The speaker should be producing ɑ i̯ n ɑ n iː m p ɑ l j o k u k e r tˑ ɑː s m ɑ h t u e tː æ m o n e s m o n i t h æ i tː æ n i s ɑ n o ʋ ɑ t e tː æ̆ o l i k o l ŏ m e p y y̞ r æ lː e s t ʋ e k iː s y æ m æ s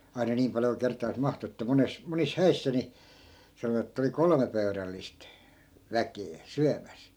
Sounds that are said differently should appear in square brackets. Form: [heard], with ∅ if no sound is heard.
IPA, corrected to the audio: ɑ i̯ n ɑ n iː m p ɑ l j o k u k e r tˑ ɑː s m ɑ h t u e tː æ m o n e s m o n i [s] h æ i [sː] æ n i s ɑ n o ʋ ɑ t e tː æ̆ o l i k o l ŏ m e p [ø] y̞ r æ lː [i] s t ʋ [æ] k [eː] s y æ m æ s